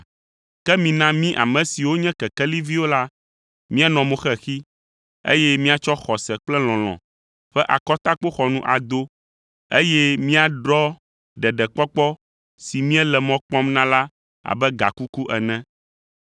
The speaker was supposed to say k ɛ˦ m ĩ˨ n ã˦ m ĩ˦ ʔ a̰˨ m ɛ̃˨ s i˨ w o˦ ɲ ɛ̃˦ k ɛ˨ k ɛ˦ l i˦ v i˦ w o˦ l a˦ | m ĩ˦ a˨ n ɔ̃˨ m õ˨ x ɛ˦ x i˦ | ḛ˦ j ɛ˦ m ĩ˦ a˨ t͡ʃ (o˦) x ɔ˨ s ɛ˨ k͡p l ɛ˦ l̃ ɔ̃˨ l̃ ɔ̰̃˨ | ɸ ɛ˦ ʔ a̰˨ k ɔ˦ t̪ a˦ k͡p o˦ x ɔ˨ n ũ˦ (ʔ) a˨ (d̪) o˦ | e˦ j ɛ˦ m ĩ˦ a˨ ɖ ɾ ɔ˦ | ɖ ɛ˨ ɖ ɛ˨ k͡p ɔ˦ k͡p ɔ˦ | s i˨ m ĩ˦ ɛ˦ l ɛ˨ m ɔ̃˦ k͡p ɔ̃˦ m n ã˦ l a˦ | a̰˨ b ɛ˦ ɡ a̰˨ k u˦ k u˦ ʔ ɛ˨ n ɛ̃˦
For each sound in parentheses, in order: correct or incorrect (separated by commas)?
incorrect, correct, correct